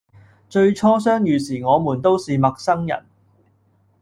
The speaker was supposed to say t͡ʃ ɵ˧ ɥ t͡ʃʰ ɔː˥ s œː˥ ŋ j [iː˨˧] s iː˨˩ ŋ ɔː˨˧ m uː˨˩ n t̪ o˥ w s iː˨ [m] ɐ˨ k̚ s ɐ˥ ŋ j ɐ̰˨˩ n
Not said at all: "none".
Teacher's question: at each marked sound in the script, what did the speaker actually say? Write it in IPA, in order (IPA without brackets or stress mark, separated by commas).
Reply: yː˨˧, m